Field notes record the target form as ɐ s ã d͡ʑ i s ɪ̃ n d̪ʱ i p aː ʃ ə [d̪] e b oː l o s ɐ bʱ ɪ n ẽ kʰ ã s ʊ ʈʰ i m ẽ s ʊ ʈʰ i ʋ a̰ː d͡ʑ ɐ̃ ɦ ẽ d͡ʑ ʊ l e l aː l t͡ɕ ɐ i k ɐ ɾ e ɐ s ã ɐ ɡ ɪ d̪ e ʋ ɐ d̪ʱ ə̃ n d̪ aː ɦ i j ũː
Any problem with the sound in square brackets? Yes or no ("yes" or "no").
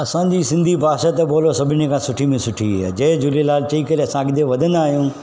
yes